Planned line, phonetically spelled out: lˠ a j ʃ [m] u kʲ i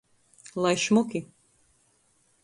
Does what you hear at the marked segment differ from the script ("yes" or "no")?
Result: no